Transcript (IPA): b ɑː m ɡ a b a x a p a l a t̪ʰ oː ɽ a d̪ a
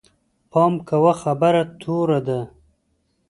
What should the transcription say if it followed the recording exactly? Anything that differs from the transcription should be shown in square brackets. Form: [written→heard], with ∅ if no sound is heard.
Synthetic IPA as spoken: [b→p] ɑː m [ɡ→k] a [b→w] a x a [p→b] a [l→ɾ] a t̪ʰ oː [ɽ→ɾ] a d̪ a